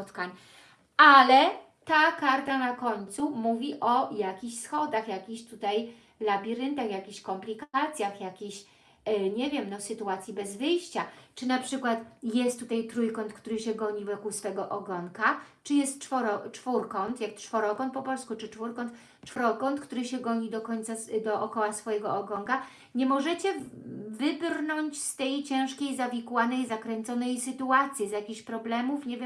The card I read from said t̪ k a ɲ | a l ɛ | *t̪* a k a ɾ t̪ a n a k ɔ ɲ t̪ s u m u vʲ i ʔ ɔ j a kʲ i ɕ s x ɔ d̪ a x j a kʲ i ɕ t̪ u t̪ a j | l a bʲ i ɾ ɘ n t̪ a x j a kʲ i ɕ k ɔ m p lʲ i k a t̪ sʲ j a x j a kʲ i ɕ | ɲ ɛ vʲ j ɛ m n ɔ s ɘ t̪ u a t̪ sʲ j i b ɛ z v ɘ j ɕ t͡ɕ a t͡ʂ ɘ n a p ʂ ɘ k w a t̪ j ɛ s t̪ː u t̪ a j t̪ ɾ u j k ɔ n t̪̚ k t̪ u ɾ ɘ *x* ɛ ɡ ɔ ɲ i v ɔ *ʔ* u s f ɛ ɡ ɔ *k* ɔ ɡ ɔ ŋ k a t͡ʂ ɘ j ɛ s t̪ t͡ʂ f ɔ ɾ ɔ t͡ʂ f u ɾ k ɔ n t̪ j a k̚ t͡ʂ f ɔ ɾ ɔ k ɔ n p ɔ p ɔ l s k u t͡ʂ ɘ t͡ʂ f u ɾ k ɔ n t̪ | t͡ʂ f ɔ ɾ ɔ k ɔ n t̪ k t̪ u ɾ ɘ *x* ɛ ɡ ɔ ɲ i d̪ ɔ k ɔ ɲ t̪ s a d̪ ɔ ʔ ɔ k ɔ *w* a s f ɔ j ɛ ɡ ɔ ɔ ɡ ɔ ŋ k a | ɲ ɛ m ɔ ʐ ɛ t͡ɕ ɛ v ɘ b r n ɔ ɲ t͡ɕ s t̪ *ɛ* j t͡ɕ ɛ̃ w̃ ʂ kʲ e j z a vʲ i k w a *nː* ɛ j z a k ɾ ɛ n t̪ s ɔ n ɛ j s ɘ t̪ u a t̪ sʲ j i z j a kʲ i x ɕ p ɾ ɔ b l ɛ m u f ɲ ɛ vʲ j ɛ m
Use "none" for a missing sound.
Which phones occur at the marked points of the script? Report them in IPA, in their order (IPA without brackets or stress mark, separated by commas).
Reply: t̪, ɕ, k, ʔ, ɕ, w, ɛ, n